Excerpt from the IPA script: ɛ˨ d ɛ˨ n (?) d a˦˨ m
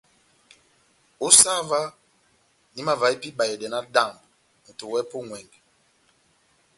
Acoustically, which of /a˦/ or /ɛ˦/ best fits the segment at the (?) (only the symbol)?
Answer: a˦